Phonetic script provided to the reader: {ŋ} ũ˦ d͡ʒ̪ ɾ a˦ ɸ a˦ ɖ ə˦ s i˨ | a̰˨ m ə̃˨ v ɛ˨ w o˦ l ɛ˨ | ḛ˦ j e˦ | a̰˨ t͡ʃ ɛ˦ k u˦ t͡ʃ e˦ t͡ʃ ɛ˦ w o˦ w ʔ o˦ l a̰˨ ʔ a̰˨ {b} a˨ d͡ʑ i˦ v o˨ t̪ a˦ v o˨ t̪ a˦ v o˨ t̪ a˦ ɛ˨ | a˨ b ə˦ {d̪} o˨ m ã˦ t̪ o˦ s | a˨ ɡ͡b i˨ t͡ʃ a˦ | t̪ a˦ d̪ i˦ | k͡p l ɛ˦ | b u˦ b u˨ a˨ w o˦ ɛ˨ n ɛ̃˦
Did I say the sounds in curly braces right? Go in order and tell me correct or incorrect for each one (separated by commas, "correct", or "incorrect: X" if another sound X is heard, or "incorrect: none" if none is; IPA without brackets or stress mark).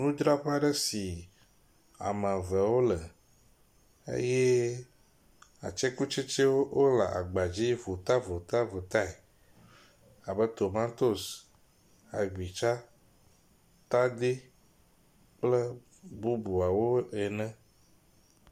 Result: incorrect: n, incorrect: ɡ͡b, incorrect: t̪